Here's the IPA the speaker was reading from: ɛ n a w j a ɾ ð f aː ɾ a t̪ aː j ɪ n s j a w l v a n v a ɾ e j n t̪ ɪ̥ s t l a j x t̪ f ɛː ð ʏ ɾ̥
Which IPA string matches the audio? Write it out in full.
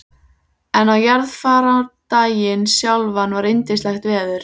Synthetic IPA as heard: ɛ n a w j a ɾ ð f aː ɾ a t̪ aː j ɪ n s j a w l v a n v a ɾ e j n t̪ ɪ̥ s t l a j x t̪ v ɛː ð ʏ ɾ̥